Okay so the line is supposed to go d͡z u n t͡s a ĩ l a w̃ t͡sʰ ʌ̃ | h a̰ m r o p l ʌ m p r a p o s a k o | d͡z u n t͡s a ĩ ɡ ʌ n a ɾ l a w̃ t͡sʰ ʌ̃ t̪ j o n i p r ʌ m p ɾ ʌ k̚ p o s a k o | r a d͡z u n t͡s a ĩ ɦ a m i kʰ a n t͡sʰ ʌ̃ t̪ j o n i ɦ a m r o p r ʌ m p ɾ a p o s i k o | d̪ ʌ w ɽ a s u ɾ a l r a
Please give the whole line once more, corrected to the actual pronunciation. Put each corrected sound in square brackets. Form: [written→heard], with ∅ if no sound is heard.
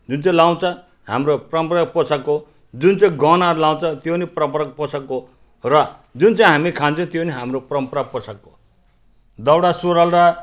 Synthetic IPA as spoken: d͡z u n t͡s a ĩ l a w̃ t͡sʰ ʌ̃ | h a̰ m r o p [l→r] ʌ m p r a p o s a k o | d͡z u n t͡s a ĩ ɡ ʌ n a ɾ l a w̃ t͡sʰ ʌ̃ t̪ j o n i p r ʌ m p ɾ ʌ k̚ p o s a k o | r [a→ʌ] d͡z u n t͡s a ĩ ɦ a m i kʰ a n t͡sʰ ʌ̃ t̪ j o n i ɦ a m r o p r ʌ m p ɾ a p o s [i→a] k o | d̪ ʌ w ɽ a s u ɾ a l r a